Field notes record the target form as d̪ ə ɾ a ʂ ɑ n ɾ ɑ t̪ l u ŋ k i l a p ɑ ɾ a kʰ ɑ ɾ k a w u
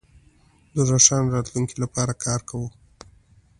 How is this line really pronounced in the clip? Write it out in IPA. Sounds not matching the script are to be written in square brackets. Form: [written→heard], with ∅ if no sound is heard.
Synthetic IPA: d̪ ə ɾ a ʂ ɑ n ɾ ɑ t̪ l u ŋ k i l a p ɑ ɾ a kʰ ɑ ɾ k a w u